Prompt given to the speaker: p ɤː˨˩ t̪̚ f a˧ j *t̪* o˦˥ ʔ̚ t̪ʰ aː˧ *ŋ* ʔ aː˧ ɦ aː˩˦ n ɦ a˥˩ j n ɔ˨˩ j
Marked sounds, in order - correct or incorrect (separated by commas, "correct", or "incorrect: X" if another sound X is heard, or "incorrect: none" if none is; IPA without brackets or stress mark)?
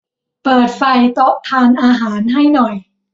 correct, incorrect: n